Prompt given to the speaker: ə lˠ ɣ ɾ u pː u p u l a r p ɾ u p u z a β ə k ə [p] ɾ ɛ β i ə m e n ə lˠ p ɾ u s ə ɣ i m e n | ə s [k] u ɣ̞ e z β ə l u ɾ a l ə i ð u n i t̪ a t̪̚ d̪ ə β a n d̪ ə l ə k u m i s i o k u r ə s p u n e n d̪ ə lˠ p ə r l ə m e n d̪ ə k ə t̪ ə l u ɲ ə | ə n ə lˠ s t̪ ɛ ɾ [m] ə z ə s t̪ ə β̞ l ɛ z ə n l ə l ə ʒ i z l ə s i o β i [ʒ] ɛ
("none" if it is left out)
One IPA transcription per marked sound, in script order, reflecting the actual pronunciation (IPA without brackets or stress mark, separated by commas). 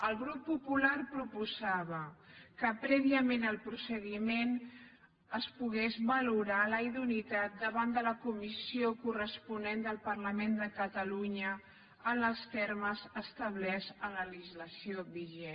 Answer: p, p, m, ʒ